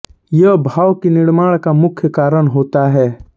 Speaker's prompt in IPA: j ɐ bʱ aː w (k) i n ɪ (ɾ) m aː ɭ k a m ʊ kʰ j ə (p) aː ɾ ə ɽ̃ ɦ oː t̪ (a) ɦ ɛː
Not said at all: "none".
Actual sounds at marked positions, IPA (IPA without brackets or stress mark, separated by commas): k, ɽ, k, a